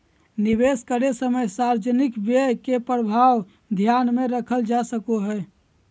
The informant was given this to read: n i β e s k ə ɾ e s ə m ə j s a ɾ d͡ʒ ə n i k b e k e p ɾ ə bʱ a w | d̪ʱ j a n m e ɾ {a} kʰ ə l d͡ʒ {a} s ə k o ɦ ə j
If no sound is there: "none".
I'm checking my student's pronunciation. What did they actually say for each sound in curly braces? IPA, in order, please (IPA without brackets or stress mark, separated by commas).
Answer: ə, a